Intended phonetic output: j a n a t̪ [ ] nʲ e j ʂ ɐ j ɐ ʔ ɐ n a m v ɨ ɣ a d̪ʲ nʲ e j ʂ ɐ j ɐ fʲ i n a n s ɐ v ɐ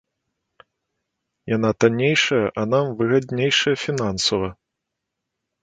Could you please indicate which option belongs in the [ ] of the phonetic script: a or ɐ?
a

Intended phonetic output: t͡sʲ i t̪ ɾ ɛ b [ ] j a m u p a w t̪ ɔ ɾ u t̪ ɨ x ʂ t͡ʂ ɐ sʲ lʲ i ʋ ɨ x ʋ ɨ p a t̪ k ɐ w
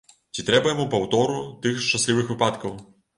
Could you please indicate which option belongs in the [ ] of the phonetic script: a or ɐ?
ɐ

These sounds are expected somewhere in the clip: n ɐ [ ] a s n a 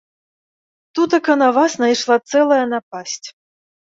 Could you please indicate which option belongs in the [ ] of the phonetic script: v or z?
v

